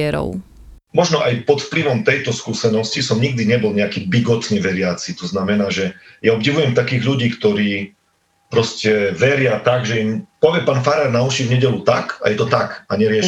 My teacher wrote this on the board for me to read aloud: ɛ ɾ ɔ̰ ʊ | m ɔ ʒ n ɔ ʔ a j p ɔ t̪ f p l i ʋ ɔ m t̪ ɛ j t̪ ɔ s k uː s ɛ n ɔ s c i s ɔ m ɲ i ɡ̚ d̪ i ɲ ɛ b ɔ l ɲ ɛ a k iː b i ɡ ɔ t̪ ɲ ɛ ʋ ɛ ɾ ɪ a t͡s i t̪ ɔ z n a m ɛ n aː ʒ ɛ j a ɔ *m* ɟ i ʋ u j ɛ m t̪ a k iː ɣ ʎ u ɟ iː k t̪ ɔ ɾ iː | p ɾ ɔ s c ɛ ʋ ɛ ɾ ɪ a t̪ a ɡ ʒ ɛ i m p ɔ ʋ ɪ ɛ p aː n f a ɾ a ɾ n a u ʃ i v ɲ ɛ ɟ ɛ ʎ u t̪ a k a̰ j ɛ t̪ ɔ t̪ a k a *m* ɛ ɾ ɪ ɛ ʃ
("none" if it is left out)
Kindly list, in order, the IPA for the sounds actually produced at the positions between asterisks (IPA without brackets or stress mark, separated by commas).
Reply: b, ɲ